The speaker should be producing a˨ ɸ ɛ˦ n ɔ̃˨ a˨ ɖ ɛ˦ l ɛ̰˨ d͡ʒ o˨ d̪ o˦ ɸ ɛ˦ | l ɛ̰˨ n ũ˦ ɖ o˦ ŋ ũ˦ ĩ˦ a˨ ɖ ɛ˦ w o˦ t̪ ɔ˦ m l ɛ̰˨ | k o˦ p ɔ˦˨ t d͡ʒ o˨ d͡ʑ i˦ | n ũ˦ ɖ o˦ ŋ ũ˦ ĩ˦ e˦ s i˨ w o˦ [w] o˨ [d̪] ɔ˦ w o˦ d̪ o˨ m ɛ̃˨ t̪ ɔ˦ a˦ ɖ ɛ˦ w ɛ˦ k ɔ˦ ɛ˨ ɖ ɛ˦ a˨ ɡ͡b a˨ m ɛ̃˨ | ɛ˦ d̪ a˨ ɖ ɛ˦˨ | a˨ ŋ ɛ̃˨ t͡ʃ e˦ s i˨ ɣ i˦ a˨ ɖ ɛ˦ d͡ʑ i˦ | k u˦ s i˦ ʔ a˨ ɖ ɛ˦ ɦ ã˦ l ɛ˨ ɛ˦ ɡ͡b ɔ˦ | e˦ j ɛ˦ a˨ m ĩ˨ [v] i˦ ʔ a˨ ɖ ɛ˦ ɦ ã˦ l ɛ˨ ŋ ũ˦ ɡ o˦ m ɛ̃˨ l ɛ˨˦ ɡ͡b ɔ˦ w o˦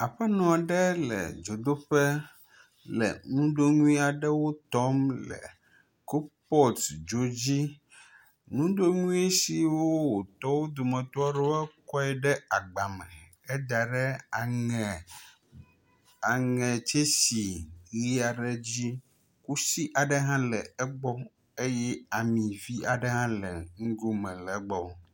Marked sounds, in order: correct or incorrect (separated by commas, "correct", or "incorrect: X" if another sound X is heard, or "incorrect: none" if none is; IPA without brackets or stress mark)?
correct, incorrect: t̪, correct